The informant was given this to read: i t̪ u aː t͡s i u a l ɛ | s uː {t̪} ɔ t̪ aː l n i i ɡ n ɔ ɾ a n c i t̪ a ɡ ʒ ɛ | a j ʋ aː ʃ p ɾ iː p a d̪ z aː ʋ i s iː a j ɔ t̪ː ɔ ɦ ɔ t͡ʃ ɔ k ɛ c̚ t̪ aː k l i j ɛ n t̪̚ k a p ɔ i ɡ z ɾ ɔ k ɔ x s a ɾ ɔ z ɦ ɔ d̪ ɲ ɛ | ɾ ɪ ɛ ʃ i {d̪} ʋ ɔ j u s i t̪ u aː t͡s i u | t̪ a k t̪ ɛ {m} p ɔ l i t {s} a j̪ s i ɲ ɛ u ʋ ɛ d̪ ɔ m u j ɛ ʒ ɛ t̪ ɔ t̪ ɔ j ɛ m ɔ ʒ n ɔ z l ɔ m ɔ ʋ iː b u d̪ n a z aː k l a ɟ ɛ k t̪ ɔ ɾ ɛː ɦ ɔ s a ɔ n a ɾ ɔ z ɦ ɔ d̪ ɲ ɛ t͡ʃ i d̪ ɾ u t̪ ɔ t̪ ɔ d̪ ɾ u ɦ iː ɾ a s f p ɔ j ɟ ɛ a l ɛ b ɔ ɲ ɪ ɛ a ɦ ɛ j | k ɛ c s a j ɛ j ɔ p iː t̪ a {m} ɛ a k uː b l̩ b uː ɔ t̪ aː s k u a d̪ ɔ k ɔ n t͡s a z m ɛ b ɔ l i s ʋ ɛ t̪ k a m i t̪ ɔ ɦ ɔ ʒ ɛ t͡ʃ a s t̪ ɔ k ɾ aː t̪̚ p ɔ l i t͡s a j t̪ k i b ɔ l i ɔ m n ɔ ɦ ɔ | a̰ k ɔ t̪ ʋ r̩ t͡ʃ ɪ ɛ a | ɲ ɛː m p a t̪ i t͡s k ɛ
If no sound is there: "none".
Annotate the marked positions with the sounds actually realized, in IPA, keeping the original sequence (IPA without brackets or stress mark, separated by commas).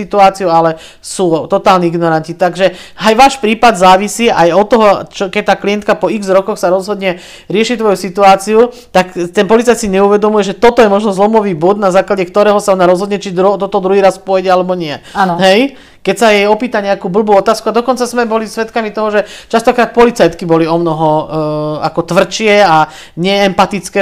t̪, t̪, n, t͡s, ɲ